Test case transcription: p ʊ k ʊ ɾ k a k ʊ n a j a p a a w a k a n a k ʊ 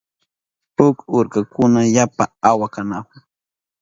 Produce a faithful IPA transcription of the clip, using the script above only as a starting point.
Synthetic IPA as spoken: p ʊ k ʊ ɾ k a k ʊ n a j a p a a w a k a n a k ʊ